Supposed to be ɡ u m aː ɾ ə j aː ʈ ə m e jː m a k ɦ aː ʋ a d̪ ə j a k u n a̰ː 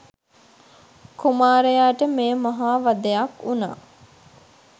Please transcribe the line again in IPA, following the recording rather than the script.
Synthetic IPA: k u m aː ɾ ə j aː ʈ ə m e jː m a ɦ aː ʋ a d̪ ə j a k u n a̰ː

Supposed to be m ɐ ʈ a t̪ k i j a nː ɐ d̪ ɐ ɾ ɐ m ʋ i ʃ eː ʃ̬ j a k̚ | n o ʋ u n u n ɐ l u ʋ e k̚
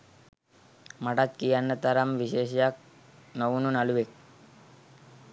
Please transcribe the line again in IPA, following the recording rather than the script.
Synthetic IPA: m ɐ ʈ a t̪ k i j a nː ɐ t̪ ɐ ɾ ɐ m ʋ i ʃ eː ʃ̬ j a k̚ | n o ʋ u n u n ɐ l u ʋ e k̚

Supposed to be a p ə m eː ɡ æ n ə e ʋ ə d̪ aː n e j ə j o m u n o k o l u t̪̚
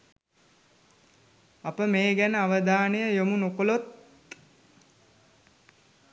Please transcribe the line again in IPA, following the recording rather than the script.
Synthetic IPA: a p ə m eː ɡ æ n ə a ʋ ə d̪ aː n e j ə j o m u n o k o l o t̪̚

